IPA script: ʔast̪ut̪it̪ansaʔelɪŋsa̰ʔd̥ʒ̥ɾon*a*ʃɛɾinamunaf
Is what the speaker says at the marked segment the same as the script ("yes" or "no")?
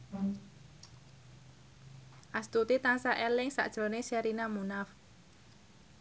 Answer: no